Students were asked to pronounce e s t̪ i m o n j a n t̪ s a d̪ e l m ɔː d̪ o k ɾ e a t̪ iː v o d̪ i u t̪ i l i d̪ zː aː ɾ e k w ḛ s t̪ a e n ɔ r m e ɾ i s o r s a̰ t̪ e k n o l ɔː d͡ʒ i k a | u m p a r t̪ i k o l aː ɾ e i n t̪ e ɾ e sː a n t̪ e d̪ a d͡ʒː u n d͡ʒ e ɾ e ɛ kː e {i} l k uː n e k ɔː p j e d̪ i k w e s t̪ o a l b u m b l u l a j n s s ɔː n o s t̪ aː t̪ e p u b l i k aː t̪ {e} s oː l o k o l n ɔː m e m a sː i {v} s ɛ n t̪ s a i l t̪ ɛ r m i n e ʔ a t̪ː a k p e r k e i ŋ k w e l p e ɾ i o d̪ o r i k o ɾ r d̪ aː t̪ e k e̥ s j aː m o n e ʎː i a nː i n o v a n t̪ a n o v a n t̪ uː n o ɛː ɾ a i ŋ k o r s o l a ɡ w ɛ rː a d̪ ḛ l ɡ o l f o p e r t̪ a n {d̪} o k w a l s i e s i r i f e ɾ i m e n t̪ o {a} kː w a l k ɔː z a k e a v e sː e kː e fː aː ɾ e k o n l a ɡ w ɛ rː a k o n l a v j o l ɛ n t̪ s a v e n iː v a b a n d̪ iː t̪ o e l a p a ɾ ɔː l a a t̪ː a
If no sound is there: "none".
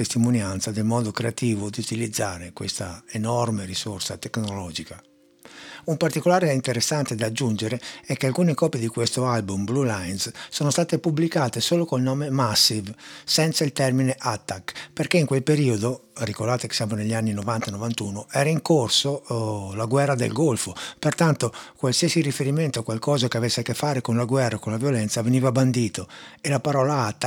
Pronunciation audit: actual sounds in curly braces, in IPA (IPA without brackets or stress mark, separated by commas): a, e, v, t̪, a